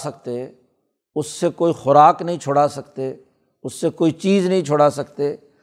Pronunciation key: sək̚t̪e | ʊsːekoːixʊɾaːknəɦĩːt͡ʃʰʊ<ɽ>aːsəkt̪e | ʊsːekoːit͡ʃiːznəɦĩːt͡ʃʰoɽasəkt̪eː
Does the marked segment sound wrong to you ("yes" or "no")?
no